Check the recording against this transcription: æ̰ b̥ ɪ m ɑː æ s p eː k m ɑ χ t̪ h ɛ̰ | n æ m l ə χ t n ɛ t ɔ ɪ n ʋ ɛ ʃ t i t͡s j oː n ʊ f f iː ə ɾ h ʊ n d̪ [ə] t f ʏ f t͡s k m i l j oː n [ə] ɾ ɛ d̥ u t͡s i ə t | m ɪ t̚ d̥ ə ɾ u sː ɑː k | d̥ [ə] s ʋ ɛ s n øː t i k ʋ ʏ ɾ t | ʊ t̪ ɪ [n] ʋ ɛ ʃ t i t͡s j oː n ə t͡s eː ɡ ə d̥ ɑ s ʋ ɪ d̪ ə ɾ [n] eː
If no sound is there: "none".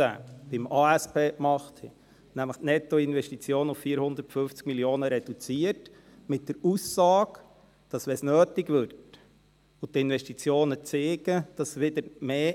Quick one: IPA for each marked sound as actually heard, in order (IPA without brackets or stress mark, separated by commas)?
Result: ə, ə, ɑ, n, m